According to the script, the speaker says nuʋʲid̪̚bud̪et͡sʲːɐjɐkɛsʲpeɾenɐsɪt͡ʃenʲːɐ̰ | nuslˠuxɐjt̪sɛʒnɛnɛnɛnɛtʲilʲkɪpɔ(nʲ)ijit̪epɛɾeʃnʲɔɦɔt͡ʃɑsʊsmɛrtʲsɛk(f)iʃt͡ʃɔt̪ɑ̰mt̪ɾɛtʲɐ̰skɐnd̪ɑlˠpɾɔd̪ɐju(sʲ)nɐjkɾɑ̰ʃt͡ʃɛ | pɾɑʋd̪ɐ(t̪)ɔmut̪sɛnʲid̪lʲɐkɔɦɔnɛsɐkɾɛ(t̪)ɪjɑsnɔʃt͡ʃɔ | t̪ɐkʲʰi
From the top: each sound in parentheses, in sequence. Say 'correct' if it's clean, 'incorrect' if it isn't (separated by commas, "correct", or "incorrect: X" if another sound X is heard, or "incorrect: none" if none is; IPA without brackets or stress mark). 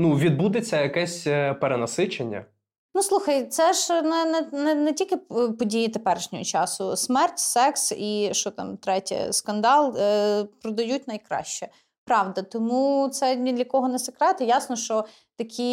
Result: incorrect: dʲ, incorrect: s, incorrect: tʲ, correct, correct